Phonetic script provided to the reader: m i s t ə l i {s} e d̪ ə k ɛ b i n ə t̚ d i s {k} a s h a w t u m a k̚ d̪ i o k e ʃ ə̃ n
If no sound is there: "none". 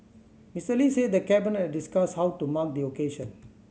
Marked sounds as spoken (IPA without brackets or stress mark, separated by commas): s, k